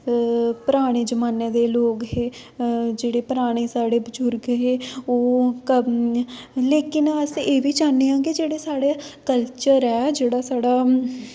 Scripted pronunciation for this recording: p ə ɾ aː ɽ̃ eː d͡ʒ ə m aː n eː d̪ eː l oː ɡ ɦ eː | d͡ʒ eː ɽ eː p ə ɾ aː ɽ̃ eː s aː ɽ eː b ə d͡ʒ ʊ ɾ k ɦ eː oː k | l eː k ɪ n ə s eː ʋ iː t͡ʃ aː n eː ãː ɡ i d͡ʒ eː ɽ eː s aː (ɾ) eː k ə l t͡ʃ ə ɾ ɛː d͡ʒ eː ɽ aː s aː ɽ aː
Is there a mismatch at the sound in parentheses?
yes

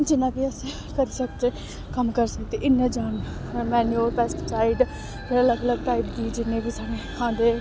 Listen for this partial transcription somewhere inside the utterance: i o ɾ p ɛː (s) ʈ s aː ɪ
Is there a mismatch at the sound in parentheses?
no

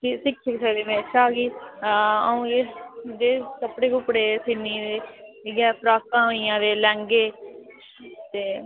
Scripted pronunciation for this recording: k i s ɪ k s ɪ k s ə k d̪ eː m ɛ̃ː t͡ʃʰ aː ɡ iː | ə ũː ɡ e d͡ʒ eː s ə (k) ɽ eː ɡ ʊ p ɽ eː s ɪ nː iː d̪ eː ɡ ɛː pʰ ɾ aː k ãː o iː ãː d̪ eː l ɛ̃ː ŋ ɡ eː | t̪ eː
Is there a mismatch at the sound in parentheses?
yes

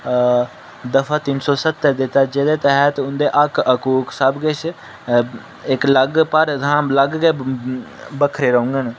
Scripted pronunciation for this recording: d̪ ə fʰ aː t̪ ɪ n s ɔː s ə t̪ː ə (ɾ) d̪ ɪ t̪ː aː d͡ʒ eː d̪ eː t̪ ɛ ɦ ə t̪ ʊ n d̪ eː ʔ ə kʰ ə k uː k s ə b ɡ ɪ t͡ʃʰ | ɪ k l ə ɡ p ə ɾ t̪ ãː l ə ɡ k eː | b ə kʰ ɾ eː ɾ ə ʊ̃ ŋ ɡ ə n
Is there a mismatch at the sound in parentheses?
no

